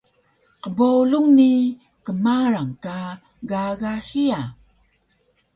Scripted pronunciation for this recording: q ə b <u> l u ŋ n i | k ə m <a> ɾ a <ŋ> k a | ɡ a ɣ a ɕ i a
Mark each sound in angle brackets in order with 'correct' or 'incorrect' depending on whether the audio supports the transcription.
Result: incorrect: o, correct, correct

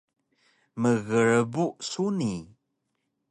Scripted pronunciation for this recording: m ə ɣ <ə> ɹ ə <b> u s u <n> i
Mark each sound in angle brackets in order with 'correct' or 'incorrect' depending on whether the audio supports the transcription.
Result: correct, correct, correct

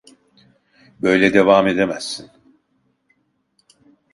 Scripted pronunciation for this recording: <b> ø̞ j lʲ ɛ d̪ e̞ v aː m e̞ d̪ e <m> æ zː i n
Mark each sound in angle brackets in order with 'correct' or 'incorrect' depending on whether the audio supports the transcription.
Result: correct, correct

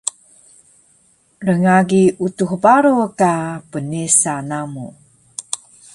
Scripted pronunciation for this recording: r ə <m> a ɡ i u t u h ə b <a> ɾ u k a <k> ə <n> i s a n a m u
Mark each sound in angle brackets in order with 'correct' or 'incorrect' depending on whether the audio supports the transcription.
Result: incorrect: ŋ, correct, incorrect: p, correct

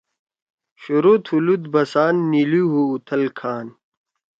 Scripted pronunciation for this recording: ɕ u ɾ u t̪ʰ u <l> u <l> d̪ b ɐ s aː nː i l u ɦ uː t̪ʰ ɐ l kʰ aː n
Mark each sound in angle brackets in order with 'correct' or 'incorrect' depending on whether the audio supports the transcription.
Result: correct, incorrect: none

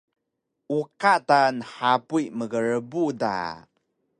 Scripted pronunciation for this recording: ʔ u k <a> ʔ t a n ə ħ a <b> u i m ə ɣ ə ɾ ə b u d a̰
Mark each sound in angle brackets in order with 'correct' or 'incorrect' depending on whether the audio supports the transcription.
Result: correct, incorrect: p

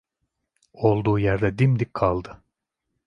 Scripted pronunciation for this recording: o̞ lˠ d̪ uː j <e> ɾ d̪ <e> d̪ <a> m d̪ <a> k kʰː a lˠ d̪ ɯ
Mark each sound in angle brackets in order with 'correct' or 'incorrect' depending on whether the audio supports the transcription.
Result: incorrect: æ, incorrect: ɛ, incorrect: i, incorrect: i

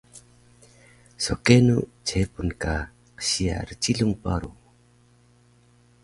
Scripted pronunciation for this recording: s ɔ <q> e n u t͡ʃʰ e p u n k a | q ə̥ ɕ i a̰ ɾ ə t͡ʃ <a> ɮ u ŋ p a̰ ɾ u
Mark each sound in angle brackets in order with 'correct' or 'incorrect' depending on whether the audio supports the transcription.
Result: incorrect: k, incorrect: i

